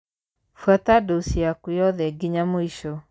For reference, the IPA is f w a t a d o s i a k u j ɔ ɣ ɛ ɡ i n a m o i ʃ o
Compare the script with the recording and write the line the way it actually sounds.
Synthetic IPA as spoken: f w a t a d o s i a k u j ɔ ð ɛ ɡ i ɲ a m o i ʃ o